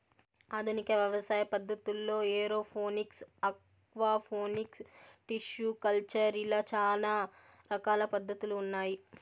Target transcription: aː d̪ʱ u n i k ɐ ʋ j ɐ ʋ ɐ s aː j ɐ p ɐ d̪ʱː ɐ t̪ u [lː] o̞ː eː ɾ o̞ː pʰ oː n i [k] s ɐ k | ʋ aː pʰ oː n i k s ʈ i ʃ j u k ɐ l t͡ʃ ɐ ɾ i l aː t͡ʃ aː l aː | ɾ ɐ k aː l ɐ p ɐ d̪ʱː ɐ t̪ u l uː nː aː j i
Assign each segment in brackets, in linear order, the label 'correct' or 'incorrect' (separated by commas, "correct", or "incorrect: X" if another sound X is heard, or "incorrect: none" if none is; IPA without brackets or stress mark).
correct, correct